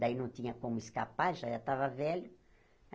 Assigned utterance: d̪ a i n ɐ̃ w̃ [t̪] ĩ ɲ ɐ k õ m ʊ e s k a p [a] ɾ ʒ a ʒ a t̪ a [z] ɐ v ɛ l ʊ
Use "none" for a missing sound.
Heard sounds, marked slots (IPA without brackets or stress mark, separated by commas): t̪, a, v